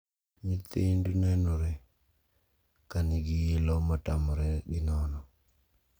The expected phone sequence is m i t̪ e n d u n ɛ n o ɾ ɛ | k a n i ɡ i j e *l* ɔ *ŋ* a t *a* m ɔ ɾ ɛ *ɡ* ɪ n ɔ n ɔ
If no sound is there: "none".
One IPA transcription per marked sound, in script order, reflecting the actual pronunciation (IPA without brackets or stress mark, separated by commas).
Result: l, m, a, ɡ